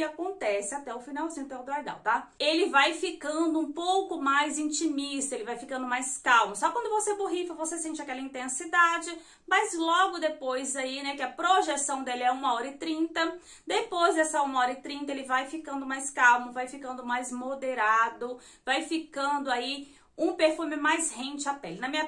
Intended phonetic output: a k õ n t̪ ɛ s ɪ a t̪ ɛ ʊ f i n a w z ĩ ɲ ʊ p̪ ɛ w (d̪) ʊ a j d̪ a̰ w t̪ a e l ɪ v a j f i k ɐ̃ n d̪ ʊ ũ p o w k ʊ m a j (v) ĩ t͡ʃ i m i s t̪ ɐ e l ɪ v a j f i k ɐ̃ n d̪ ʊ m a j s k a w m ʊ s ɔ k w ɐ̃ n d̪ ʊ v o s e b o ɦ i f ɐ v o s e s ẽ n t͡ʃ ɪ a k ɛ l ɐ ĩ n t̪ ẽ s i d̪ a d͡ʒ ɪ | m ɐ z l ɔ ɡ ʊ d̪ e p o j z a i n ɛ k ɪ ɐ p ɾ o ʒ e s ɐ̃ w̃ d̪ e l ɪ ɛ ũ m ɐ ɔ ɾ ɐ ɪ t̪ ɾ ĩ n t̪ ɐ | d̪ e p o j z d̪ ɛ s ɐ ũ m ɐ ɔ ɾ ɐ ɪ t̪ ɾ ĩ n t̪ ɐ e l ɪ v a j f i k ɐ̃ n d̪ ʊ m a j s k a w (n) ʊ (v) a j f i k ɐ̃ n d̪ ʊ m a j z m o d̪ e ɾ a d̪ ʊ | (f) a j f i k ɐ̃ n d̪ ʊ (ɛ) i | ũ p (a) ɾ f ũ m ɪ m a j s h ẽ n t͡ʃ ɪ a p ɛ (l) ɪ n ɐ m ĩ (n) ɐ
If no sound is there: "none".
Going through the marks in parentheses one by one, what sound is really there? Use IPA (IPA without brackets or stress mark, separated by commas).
d̪, z, m, v, v, a, e, l, ɲ